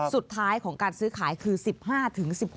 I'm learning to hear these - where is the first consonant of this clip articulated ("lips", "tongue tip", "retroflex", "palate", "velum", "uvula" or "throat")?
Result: tongue tip